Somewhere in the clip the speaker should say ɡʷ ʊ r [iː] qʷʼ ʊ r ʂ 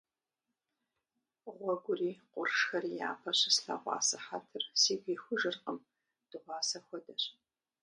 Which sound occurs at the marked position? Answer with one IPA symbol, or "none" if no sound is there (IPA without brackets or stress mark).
iː